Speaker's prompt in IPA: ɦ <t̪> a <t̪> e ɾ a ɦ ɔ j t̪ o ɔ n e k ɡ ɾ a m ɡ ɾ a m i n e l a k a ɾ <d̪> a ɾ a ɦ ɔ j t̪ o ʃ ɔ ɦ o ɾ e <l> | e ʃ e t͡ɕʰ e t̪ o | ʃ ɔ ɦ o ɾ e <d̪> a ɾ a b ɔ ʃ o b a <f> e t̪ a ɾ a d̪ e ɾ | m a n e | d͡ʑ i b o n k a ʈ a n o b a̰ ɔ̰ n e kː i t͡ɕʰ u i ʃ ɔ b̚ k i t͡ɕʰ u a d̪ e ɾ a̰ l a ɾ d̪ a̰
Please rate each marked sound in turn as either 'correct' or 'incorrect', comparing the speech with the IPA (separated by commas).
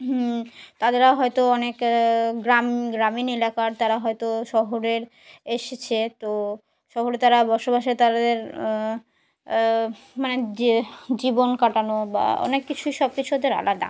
correct, incorrect, incorrect, incorrect, incorrect, incorrect